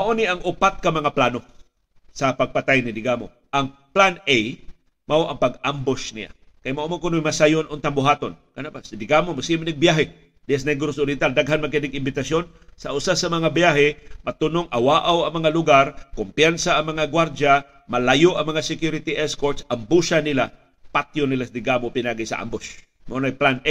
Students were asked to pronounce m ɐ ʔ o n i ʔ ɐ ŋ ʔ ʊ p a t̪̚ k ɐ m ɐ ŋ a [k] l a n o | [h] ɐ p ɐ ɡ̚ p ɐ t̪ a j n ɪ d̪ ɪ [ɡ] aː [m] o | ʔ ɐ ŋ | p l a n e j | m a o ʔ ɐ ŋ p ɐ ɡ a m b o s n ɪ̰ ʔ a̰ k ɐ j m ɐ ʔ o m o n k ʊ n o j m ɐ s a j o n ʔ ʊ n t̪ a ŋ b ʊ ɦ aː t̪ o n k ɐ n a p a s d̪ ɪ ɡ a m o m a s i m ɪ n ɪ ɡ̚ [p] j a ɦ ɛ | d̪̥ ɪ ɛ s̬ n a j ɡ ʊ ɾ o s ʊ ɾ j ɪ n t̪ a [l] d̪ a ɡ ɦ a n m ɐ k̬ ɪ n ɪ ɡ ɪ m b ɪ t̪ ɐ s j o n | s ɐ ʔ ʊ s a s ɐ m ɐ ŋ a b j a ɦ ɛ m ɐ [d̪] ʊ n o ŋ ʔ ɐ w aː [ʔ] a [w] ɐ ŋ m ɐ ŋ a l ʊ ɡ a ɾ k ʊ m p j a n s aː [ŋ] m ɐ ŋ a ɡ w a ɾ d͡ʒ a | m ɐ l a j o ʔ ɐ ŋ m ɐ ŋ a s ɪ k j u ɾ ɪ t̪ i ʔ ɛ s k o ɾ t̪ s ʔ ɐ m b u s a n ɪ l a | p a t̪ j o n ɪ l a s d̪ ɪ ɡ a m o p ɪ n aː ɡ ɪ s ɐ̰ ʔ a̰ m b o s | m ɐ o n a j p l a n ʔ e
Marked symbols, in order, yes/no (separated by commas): no, no, yes, yes, no, yes, no, yes, yes, yes